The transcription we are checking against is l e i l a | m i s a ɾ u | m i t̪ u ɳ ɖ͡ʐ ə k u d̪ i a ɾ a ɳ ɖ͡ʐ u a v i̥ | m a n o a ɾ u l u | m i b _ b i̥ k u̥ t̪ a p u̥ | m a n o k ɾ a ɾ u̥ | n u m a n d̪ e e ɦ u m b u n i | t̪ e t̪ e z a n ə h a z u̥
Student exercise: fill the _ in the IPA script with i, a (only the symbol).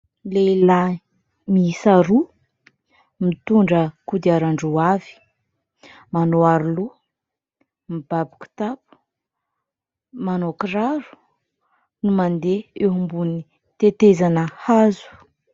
a